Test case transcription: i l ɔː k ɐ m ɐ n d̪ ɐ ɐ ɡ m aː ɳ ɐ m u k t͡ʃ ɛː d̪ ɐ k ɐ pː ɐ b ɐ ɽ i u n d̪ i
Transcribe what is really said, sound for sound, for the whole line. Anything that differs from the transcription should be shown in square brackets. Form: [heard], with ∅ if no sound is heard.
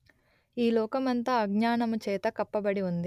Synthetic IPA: [iː] l ɔː k ɐ m ɐ n [t̪] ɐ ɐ ɡ [ɲ] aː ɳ ɐ m u [∅] t͡ʃ ɛː [t̪] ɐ k ɐ pː ɐ b ɐ ɽ i u n d̪ i

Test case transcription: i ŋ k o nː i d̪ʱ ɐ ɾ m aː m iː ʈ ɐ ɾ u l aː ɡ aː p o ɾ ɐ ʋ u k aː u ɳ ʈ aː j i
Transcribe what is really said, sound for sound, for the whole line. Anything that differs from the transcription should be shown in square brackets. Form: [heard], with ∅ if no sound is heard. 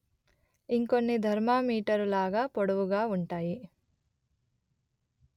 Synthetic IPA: i ŋ k o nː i d̪ʱ ɐ ɾ m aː m iː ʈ ɐ ɾ u l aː ɡ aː p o [ɽ] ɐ ʋ u [ɡ] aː u ɳ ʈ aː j i

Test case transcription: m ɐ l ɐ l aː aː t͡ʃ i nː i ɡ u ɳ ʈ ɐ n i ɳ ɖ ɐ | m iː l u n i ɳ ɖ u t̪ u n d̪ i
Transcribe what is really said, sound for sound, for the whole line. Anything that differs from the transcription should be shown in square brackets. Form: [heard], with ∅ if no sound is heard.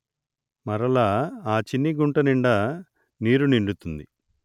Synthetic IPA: m ɐ [ɾ] ɐ l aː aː t͡ʃ i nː i ɡ u ɳ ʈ ɐ n i ɳ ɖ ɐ | [n] iː [ɾ] u n i ɳ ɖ u t̪ u n d̪ i

